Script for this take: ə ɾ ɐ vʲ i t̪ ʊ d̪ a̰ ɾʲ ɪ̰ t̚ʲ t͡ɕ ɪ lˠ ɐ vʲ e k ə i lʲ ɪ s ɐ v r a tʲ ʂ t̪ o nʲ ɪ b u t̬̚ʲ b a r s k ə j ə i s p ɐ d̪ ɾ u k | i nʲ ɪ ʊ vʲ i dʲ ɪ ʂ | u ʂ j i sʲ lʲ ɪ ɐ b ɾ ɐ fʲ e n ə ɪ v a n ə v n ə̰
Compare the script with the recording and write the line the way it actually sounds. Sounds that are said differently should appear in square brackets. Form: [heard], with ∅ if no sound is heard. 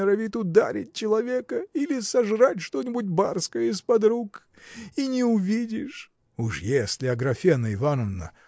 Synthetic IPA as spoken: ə ɾ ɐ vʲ i t̪ ʊ d̪ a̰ ɾʲ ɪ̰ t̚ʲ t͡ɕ ɪ lˠ ɐ vʲ e k ə i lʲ ɪ s ɐ [ʐ] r a tʲ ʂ t̪ o nʲ ɪ b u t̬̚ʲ b a r s k ə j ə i s p ɐ d̪ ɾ u k | i nʲ ɪ ʊ vʲ i dʲ ɪ ʂ | u ʂ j [e] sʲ lʲ ɪ ɐ [ɡ] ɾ ɐ fʲ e n ə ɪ v a n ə v n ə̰

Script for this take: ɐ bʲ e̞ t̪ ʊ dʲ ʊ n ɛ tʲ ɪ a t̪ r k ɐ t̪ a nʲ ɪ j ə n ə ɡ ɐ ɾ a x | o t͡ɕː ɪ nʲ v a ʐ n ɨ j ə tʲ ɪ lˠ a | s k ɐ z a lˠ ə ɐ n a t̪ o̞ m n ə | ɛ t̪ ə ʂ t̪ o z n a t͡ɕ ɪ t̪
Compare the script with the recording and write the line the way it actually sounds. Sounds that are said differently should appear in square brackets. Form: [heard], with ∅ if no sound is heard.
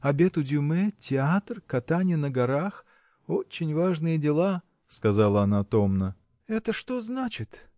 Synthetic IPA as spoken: ɐ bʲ e̞ t̪ ʊ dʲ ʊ [m] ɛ tʲ ɪ a t̪ r k ɐ t̪ a nʲ ɪ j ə n ə ɡ ɐ ɾ a x | o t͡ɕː ɪ nʲ v a ʐ n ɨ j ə [dʲ] ɪ lˠ a | s k ɐ z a lˠ ə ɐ n a t̪ o̞ m n ə | ɛ t̪ ə ʂ t̪ o z n a t͡ɕ ɪ t̪

